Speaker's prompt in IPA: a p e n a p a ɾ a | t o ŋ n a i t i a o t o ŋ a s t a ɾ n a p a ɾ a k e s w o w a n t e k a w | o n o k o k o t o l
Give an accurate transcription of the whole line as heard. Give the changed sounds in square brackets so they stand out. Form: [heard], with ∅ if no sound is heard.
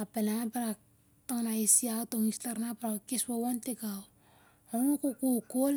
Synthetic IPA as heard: a p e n a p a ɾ a | t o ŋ n a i [s] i a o t o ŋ [i] s t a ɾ n a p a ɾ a k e s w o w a n t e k a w | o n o k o k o [k] o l